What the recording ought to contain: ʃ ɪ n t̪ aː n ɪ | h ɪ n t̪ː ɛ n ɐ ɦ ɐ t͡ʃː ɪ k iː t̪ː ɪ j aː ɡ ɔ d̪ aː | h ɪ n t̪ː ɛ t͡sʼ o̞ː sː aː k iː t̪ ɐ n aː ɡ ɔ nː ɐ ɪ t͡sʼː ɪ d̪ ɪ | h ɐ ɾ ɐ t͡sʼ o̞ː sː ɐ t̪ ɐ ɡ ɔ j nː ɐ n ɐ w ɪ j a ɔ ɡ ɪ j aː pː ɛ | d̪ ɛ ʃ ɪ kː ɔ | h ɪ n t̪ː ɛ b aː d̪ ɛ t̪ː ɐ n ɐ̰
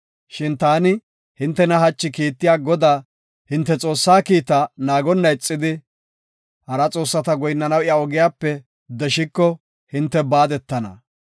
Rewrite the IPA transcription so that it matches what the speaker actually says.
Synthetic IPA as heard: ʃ ɪ n t̪ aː n ɪ | h ɪ n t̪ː ɛ n ɐ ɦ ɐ t͡ʃː ɪ k iː t̪ː ɪ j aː ɡ ɔ d̪ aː | h ɪ n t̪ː ɛ t͡sʼ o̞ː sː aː k iː t̪ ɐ n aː ɡ ɔ nː ɐ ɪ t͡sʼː ɪ d̪ ɪ | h ɐ ɾ ɐ t͡sʼ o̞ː sː ɐ t̪ ɐ ɡ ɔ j nː ɐ n ɐ w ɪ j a ɔ ɡ ɪ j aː pː ɛ | d̪ ɛ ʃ ɪ kː ɔ | h ɪ n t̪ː ɛ b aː d̪ ɛ t̪ː ɐ n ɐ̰